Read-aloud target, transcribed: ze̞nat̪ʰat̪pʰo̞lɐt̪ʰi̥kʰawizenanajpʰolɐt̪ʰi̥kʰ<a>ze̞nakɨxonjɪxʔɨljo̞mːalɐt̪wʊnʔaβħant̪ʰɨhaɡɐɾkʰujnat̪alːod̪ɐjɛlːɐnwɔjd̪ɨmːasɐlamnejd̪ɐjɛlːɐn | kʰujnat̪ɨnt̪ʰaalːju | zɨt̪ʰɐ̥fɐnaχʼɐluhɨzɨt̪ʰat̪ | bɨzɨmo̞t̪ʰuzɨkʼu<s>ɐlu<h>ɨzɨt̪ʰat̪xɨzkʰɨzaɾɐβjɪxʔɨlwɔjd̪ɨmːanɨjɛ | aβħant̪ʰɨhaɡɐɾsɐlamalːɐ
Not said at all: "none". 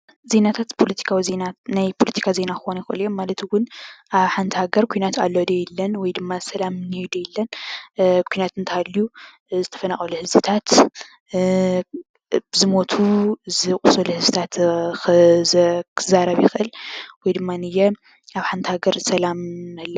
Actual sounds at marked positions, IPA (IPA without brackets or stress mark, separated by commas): a, s, h